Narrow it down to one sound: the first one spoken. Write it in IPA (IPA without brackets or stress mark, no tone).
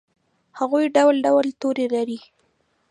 h